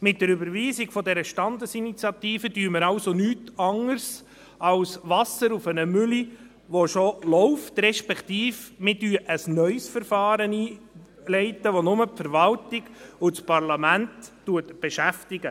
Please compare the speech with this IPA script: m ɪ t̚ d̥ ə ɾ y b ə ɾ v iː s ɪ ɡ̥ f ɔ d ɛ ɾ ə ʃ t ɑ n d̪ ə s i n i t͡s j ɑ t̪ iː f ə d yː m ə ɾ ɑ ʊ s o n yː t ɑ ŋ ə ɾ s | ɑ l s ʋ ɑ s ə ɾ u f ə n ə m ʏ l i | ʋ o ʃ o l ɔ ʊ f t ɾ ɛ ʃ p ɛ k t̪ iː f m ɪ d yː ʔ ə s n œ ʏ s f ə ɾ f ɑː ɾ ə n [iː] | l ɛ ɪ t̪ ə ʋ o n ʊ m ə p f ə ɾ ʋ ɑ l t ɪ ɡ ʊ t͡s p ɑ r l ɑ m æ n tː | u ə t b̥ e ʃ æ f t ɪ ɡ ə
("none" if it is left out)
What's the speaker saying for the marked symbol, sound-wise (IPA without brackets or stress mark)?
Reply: iː